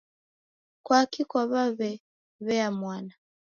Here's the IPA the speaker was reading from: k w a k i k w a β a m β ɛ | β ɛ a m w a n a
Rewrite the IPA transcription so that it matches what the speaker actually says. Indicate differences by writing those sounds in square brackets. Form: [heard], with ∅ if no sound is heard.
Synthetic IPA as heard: k w a k i k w a β a [∅] β ɛ | β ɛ a m w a n a